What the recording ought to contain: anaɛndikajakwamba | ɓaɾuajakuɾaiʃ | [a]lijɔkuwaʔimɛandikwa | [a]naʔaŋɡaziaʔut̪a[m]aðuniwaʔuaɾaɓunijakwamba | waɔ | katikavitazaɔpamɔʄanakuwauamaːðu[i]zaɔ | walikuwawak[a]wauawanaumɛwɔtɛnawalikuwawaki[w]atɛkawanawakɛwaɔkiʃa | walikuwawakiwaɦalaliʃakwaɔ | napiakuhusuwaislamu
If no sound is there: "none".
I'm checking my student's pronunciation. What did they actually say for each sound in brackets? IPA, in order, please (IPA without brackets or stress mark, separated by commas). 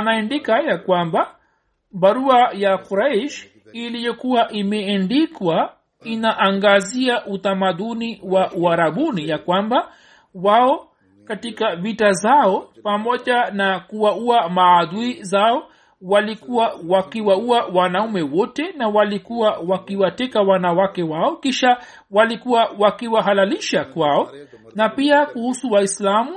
i, i, m, i, i, w